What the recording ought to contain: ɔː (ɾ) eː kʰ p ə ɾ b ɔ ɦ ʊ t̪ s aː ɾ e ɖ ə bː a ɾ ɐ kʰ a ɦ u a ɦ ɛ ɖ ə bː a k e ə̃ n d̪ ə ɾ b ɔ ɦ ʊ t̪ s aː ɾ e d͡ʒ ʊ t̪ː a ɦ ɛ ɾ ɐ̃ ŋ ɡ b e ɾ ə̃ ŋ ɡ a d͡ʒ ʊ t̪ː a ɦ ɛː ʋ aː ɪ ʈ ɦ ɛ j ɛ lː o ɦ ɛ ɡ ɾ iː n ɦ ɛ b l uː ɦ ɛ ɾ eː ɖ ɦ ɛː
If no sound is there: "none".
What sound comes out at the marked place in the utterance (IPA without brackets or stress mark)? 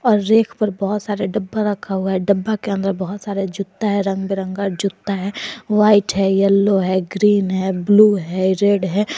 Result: ɾː